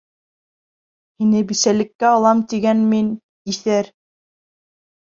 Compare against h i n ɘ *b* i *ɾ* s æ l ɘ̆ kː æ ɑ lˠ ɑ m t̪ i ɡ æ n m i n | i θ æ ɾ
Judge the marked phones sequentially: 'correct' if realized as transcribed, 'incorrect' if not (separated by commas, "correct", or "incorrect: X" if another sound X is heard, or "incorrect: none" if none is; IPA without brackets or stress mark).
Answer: correct, incorrect: none